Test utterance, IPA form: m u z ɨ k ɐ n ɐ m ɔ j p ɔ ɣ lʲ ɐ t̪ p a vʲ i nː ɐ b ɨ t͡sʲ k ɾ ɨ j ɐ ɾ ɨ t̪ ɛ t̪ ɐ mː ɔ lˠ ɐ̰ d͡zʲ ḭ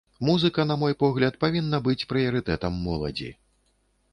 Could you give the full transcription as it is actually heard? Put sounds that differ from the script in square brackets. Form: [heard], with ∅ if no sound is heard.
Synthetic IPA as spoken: m u z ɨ k ɐ n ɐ m ɔ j p ɔ ɣ lʲ ɐ t̪ p a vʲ i nː ɐ b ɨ t͡sʲ [p] ɾ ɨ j ɐ ɾ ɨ t̪ ɛ t̪ ɐ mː ɔ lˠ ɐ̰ d͡zʲ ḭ